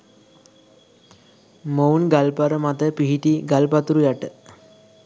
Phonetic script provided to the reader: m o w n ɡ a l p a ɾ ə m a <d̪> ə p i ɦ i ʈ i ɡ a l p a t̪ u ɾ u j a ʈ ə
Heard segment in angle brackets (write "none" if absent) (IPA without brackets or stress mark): t̪